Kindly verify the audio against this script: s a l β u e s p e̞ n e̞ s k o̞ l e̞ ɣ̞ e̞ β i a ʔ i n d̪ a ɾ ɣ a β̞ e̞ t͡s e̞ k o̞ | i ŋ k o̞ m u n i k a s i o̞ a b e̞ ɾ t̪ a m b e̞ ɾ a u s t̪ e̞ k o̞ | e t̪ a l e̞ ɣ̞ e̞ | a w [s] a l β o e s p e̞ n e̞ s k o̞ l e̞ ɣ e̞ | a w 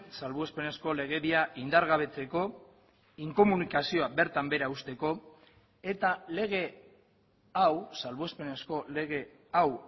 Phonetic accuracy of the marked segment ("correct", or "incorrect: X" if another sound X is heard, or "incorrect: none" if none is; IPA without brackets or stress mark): correct